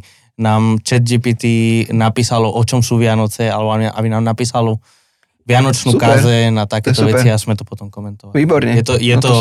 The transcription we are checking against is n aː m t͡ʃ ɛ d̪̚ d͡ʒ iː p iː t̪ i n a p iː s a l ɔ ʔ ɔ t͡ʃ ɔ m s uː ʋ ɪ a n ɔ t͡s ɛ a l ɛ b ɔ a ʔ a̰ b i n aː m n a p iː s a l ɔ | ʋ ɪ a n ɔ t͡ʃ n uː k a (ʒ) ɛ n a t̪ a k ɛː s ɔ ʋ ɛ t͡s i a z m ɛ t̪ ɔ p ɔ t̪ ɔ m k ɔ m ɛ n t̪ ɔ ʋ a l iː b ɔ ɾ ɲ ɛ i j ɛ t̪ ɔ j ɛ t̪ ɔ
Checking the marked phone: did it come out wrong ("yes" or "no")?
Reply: yes